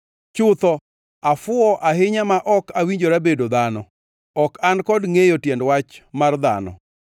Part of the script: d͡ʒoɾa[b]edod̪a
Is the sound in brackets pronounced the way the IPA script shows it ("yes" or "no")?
yes